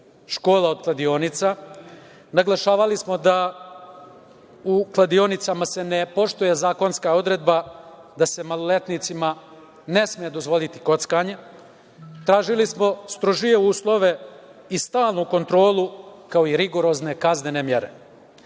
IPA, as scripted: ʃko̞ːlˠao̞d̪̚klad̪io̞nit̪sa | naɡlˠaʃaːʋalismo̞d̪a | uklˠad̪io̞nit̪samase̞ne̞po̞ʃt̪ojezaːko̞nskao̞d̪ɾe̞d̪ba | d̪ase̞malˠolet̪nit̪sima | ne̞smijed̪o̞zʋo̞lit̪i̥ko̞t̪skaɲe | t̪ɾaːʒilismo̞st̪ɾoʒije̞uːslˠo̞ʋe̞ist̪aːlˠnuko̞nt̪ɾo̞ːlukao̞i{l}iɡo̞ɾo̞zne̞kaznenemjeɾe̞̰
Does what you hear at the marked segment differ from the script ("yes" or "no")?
yes